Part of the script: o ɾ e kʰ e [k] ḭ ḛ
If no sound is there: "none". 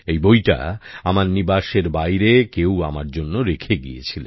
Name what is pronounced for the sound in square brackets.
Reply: ɡ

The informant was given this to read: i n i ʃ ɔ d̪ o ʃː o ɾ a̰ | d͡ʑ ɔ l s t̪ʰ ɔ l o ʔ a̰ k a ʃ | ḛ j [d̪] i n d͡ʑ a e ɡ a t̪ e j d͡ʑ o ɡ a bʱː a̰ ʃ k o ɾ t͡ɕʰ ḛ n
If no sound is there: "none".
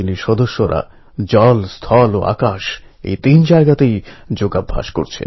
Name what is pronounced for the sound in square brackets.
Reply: t̪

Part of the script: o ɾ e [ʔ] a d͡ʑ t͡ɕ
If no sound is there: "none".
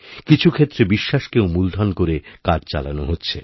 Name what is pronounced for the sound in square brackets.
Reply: k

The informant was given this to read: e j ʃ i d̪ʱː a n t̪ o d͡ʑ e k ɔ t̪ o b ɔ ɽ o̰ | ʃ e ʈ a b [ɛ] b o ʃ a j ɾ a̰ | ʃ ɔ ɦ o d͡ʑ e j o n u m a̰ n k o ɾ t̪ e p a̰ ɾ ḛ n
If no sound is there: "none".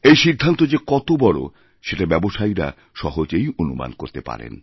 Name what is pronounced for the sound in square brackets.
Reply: ɛ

